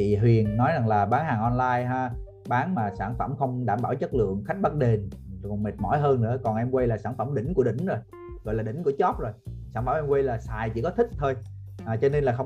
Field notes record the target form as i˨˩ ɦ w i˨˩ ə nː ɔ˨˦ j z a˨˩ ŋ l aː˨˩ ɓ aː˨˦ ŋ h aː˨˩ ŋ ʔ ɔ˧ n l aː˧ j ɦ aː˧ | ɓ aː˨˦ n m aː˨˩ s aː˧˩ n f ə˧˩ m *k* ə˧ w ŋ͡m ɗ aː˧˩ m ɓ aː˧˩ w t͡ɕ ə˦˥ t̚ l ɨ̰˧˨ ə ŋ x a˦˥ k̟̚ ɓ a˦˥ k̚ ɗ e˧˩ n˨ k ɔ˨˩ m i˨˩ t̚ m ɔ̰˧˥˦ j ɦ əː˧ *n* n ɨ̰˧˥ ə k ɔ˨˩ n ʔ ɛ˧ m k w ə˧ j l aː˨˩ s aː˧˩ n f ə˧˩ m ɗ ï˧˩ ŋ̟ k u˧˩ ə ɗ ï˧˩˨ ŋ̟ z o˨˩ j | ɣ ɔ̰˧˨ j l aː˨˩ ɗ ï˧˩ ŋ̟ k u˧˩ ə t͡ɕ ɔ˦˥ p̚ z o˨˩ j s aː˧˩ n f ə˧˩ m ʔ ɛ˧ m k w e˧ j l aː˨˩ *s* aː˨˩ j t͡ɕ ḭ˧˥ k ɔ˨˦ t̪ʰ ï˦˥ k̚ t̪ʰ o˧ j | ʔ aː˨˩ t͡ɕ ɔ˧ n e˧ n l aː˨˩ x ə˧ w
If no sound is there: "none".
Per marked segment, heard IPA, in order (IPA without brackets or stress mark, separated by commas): x, n, s